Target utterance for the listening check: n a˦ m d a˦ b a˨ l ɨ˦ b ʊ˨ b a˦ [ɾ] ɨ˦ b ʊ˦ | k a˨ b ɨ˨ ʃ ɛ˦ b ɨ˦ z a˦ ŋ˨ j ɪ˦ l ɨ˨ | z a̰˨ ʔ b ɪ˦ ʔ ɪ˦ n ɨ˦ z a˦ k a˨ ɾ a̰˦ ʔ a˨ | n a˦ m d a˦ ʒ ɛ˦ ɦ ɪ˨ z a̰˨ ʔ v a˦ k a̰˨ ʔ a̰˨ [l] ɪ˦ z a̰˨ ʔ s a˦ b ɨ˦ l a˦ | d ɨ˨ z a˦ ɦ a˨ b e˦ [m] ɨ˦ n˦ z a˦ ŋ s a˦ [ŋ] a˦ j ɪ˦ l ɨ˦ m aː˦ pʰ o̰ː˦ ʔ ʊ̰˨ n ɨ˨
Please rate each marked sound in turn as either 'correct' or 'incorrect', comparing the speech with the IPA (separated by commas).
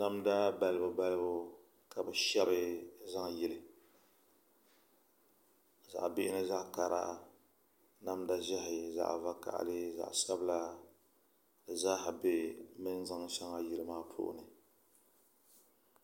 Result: incorrect, correct, correct, correct